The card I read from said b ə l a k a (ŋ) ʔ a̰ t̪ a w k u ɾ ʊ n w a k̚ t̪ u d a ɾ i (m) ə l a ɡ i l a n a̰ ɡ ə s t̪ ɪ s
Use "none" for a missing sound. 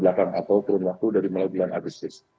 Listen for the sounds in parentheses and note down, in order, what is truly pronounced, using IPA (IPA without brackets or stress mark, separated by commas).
ŋ, m